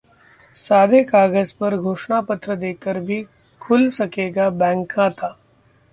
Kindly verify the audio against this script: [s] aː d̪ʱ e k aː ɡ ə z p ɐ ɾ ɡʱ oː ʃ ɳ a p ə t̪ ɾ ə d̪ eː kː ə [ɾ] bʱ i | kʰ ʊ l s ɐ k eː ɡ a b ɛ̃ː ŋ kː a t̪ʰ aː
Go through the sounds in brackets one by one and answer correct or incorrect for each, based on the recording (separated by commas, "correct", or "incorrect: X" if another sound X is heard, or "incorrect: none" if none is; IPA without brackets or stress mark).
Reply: correct, correct